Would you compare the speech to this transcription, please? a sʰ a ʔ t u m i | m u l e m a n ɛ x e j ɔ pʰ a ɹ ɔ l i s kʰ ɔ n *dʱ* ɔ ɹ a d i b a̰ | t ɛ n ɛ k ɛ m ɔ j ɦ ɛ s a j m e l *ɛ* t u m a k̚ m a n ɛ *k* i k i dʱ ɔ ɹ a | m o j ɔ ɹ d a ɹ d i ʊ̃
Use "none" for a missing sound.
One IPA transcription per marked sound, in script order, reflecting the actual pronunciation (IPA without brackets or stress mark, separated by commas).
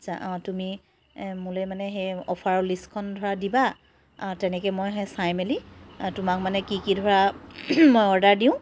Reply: dʱ, i, k